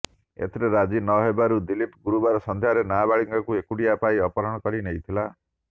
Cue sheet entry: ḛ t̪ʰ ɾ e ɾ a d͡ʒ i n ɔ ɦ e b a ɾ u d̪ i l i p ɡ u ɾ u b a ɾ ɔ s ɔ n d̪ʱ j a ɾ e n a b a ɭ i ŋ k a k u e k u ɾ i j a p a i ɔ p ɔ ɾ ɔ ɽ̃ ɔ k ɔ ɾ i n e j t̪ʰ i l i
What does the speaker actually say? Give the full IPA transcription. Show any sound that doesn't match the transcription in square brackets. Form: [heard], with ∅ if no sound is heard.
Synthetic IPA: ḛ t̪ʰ ɾ e ɾ a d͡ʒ i n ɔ ɦ e b a ɾ u d̪ i l i p ɡ u ɾ u b a ɾ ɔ s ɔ n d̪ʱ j a ɾ e n a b a ɭ i ŋ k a k u e k u [ɽ] i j a p a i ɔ p ɔ ɾ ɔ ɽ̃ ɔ k ɔ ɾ i n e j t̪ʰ i l [a]